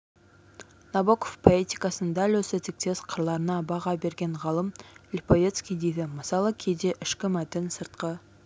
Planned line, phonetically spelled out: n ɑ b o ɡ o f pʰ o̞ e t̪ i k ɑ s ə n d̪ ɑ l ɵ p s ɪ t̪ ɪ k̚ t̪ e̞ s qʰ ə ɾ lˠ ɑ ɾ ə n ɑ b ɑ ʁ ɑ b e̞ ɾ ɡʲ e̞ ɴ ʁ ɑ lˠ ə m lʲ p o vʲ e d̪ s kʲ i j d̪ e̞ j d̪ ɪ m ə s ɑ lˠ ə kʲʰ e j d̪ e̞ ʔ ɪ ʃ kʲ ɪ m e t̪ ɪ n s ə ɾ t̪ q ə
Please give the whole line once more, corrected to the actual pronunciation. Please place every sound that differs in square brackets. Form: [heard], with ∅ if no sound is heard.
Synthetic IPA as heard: n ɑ b o [k] o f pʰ o̞ e t̪ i k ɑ s ə n d̪ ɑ l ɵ [∅] s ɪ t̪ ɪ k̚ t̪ e̞ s qʰ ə ɾ lˠ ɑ ɾ ə n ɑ b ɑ ʁ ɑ b e̞ ɾ ɡʲ e̞ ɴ ʁ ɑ lˠ ə m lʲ p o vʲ e [t̪] s kʲ i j d̪ e̞ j d̪ ɪ m ə s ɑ lˠ ə kʲʰ e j d̪ e̞ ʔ ɪ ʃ kʲ ɪ m [æ] t̪ ɪ n s ə ɾ t̪ q ə